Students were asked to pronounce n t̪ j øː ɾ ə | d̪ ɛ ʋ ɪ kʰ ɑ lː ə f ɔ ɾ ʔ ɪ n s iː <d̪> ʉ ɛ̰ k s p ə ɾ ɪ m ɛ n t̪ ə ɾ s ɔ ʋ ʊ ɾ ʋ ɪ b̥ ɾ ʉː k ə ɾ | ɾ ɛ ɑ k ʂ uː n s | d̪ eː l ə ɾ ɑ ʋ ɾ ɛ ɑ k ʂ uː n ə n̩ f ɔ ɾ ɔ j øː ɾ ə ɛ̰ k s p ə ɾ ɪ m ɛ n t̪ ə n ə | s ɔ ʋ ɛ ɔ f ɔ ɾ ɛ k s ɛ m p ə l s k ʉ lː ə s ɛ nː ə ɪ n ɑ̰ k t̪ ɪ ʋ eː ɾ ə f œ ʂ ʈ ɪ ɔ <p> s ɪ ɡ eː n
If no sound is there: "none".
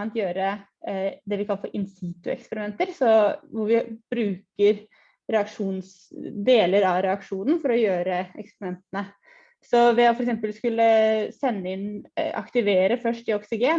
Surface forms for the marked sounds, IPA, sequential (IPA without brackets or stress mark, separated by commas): t̪, k